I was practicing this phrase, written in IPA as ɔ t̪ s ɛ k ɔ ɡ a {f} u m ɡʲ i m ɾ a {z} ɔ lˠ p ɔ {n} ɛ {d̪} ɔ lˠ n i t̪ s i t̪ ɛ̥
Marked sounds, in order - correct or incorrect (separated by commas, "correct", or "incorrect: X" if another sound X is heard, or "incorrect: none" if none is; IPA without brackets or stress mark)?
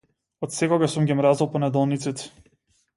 incorrect: s, correct, correct, correct